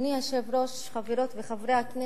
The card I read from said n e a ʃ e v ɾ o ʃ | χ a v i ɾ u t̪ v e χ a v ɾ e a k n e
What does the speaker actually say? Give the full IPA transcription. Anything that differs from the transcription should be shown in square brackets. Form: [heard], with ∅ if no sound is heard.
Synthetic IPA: n [i] a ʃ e v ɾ o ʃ | χ a v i ɾ [o] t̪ v e χ a v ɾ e a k n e